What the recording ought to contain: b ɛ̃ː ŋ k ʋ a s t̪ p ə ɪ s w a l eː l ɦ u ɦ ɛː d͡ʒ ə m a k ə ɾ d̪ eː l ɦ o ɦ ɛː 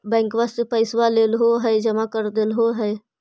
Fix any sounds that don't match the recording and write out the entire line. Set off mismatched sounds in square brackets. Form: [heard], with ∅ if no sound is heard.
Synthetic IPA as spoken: b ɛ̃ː ŋ k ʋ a s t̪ p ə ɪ s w a l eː l ɦ [o] ɦ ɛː d͡ʒ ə m a k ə ɾ d̪ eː l ɦ o ɦ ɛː